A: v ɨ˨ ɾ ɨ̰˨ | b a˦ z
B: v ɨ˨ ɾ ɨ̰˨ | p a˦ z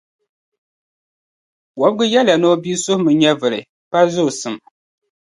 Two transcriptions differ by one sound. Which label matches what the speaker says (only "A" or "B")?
B